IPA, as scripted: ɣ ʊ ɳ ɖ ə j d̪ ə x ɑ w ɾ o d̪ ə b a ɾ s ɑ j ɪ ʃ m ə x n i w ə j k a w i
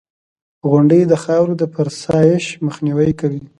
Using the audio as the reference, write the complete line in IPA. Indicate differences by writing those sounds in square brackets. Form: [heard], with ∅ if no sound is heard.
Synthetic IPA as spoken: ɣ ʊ ɳ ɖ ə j d̪ ə x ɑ w ɾ o d̪ ə [p] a ɾ s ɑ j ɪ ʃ m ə x n i w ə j k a w i